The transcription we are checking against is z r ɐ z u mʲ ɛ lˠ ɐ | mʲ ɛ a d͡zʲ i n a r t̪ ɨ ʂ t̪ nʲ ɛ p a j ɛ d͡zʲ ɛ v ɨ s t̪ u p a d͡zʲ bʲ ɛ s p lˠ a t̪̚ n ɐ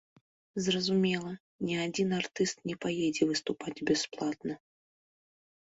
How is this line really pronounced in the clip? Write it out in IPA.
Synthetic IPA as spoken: z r ɐ z u mʲ ɛ lˠ ɐ | nʲ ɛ a d͡zʲ i n a r t̪ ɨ s t̪ nʲ ɛ p a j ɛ d͡zʲ ɛ v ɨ s t̪ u p a d͡zʲ bʲ ɛ s p lˠ a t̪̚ n ɐ